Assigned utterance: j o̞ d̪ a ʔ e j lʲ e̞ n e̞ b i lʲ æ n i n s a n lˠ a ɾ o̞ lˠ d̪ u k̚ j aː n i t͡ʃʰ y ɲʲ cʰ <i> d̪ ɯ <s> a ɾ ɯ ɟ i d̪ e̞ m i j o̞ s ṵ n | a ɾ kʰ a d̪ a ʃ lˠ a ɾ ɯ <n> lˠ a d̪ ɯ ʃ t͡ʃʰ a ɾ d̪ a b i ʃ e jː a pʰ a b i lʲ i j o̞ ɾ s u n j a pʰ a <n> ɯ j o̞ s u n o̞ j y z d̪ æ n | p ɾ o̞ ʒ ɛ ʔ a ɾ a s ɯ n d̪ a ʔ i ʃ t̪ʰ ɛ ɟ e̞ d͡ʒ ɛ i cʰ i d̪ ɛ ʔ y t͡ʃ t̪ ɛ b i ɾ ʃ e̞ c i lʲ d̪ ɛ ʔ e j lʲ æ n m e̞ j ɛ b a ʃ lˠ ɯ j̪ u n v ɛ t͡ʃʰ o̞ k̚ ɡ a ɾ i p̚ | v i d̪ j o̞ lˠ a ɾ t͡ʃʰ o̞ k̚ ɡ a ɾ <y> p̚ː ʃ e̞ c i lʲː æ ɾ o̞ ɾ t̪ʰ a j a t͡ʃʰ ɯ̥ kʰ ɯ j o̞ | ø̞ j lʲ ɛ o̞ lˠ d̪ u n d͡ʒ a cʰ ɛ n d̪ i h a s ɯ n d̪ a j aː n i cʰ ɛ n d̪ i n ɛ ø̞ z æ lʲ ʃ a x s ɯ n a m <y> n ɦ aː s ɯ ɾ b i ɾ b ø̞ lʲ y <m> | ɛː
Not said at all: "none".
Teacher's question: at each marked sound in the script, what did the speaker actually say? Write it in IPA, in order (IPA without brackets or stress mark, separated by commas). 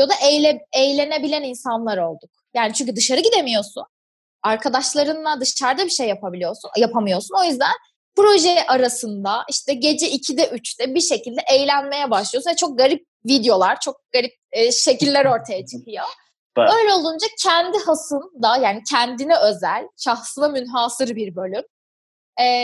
y, ʃ, n, m, i, y, m